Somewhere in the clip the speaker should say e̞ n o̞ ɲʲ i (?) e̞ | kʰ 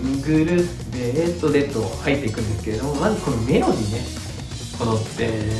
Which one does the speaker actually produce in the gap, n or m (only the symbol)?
n